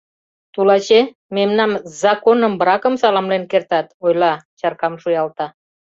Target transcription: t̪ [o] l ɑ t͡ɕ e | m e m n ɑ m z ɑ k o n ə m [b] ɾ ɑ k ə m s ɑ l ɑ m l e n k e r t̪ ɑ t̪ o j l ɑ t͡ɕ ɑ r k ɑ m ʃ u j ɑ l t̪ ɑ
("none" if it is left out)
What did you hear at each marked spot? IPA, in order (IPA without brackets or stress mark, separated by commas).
u, b